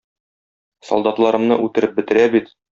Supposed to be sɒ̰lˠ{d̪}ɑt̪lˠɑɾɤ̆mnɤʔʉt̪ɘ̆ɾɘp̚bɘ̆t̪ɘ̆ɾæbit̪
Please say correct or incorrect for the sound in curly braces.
correct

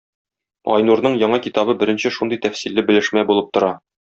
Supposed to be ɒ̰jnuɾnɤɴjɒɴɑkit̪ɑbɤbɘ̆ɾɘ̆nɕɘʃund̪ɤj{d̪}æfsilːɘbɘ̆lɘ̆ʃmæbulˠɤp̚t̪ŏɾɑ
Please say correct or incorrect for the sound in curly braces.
incorrect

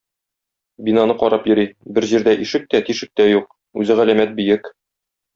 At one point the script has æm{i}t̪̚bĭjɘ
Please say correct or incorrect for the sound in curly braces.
incorrect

